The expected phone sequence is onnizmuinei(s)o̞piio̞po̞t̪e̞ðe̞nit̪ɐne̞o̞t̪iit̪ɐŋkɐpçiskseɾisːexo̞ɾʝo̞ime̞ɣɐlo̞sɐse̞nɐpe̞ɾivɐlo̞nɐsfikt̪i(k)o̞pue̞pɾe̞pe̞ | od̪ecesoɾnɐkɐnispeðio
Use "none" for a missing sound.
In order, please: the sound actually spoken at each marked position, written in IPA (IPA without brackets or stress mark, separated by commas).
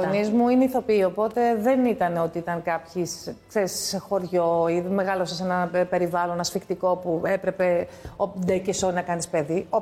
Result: θ, k